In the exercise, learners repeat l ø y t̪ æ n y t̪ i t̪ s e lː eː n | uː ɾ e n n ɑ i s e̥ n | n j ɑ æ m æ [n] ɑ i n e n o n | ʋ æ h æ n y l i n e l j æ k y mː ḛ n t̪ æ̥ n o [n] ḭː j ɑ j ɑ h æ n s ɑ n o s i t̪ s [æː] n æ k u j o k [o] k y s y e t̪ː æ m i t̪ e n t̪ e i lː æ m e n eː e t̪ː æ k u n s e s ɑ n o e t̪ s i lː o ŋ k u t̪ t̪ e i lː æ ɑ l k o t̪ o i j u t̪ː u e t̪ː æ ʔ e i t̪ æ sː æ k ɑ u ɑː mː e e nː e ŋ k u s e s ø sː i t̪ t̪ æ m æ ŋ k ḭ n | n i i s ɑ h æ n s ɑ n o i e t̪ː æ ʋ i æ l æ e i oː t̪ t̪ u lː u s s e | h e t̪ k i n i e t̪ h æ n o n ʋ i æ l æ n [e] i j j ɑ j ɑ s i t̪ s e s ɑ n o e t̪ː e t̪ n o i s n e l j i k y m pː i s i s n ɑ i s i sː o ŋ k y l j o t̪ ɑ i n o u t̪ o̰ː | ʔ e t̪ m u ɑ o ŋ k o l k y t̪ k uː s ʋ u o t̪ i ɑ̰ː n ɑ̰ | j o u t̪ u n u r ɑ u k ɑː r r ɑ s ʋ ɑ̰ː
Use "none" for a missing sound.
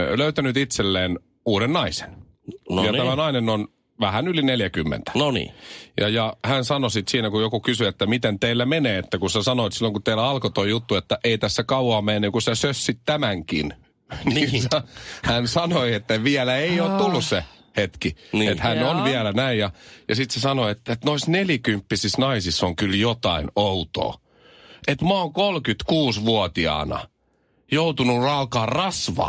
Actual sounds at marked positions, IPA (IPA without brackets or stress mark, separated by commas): n, n, iː, u, æ